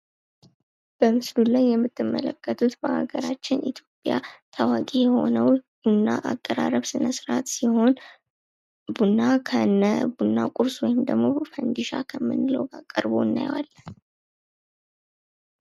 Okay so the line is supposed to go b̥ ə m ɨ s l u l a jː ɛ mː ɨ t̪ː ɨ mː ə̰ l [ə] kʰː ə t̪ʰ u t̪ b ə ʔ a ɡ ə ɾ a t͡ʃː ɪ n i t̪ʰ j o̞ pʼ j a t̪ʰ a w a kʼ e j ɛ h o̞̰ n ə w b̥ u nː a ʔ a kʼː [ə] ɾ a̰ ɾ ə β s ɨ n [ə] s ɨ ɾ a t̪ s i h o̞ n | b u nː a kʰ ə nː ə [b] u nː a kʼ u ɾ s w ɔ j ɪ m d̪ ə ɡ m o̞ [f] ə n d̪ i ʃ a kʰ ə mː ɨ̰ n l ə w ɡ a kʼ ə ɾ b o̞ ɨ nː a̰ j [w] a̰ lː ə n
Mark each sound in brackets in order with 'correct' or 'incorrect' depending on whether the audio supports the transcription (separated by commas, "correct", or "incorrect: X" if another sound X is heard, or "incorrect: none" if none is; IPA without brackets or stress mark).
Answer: correct, correct, correct, correct, correct, correct